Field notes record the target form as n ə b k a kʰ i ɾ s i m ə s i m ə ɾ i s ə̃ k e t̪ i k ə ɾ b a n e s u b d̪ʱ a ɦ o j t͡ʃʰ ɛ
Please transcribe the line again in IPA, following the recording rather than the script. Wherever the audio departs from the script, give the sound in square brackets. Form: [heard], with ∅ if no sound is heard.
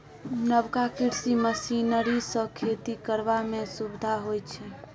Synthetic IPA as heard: n ə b k a [k] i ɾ s i m ə s i [n] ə ɾ i s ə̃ [kʰ] e t̪ i k ə ɾ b a [m] e s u b d̪ʱ a ɦ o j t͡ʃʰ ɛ